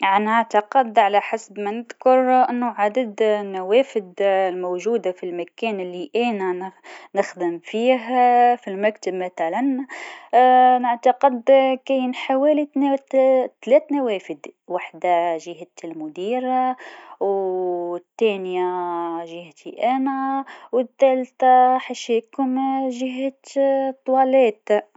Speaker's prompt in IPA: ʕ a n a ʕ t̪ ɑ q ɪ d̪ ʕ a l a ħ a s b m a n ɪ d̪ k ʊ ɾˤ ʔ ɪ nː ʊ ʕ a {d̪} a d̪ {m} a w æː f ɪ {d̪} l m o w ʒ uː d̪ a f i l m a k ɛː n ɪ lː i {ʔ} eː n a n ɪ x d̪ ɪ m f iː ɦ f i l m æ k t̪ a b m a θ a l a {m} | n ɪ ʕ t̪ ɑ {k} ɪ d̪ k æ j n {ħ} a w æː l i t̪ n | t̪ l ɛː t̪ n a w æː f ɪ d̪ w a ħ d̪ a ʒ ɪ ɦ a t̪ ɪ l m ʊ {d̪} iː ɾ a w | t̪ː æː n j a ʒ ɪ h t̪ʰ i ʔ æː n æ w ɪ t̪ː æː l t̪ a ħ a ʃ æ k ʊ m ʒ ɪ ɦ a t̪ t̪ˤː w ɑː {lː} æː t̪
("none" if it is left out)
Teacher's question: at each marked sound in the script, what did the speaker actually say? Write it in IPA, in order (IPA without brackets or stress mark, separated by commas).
d̪, n, d̪, ʔ, n, q, ħ, d̪, l